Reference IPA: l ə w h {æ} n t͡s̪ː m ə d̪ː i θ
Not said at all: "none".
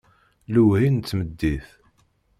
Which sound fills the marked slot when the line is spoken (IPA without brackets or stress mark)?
i